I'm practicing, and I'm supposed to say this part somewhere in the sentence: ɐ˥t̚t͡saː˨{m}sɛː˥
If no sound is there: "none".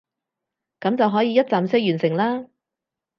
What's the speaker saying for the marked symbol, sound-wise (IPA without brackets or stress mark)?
m